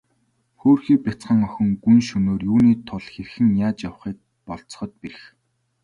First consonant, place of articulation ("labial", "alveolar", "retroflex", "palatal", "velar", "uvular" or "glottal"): velar